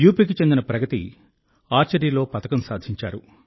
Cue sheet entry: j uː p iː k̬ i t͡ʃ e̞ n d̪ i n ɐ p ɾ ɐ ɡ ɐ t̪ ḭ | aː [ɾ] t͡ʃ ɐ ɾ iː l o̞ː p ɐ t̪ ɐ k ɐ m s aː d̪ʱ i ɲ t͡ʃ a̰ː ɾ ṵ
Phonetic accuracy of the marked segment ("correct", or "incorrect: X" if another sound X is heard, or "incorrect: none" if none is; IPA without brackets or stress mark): correct